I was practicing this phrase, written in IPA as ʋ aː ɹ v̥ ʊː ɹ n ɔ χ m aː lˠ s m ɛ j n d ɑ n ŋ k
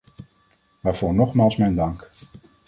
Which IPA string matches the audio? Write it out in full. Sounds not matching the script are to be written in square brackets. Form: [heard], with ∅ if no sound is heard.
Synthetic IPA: ʋ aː ɹ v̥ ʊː ɹ n ɔ χ m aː lˠ s m ɛ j n d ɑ [∅] ŋ k

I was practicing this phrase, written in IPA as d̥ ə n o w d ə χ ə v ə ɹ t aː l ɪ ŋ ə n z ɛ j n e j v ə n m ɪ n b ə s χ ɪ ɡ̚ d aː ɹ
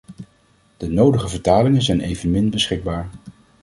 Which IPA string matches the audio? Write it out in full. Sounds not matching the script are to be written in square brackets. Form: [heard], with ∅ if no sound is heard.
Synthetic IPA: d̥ ə n o w d ə χ ə v ə ɹ t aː l ɪ ŋ ə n z ɛ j n e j v ə n m ɪ n b ə s χ ɪ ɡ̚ [b] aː ɹ

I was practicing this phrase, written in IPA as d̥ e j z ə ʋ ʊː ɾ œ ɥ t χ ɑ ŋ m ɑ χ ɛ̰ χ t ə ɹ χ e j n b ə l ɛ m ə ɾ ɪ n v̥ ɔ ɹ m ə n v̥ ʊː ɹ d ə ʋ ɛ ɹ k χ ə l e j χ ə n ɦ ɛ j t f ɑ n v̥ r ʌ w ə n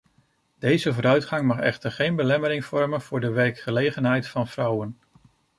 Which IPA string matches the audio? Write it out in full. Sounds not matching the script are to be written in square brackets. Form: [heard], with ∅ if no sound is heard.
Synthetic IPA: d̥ e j z ə [v] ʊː ɾ œ ɥ t χ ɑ ŋ m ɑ χ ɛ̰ χ t ə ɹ χ e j n b ə l ɛ m ə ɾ ɪ [ŋ] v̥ ɔ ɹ m ə n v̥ ʊː ɹ d ə ʋ ɛ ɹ k χ ə l e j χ ə n ɦ ɛ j t f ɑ n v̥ r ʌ w ə n

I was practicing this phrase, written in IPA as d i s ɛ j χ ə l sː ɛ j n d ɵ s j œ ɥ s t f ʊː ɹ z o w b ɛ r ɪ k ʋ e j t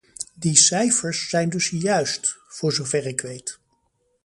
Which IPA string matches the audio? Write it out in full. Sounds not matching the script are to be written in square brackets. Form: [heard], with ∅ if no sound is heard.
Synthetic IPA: d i s ɛ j [f] ə [ɹ] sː ɛ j n d ɵ s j œ ɥ s t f ʊː ɹ z o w [v] ɛ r ɪ k ʋ e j t

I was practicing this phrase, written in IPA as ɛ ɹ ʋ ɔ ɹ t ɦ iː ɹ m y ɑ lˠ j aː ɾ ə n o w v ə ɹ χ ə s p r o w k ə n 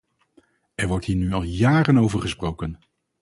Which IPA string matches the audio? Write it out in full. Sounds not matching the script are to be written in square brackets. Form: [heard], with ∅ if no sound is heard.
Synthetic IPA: ɛ ɹ ʋ ɔ ɹ t ɦ iː ɹ [n] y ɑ lˠ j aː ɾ ə n o w v ə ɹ χ ə s p r o w k ə n

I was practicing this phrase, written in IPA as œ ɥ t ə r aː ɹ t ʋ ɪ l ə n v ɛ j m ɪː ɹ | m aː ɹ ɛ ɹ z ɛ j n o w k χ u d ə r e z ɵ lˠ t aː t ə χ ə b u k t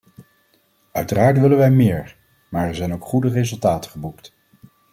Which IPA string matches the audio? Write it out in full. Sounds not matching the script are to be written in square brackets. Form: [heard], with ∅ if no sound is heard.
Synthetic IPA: œ ɥ t ə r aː ɹ t ʋ ɪ l ə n [ʋ] ɛ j m ɪː ɹ | m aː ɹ ɛ ɹ z ɛ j n o w k χ u d ə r e z ɵ lˠ t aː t ə χ ə b u k t

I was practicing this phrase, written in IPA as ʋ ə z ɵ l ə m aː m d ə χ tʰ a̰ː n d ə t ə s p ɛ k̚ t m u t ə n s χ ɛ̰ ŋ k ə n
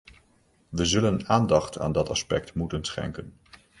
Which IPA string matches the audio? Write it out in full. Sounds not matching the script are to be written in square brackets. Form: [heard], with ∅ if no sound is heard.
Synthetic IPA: ʋ ə z ɵ l ə [n] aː [n] d [ɑ] χ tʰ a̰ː n d [ɑ] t [ɑ] s p ɛ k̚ t m u t ə n s χ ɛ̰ ŋ k ə n

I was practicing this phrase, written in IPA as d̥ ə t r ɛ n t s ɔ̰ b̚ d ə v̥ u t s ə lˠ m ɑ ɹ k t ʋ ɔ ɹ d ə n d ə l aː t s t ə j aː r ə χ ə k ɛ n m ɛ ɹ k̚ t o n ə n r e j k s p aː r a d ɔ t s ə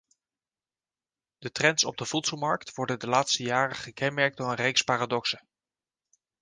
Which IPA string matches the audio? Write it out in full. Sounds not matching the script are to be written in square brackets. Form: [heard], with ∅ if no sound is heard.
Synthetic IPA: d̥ ə t r ɛ n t s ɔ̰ b̚ d ə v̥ u t s ə lˠ m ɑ ɹ k t ʋ ɔ ɹ d ə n d ə l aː t s t ə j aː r ə χ ə k ɛ n m ɛ ɹ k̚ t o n ə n r e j k s p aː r a d ɔ [k] s ə

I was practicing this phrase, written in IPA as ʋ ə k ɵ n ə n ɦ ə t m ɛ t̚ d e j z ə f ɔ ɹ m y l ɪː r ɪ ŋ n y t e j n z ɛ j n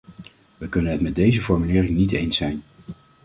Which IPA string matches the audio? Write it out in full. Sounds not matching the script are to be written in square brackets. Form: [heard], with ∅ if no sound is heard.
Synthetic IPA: ʋ ə k ɵ n ə n ɦ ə t m ɛ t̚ d e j z ə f ɔ ɹ m y l ɪː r ɪ ŋ n [i] t e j n [s] ɛ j n

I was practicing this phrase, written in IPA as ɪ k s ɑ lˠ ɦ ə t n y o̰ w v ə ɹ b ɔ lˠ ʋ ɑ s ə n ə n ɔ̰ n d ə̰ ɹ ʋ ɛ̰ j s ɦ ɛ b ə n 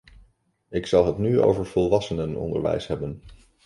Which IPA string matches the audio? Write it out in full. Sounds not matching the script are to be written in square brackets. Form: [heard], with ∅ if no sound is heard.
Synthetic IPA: ɪ k s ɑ lˠ ɦ ə t n y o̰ w v ə ɹ [v] ɔ lˠ ʋ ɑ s ə n ə n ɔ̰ n d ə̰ ɹ ʋ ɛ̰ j s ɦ ɛ b ə n

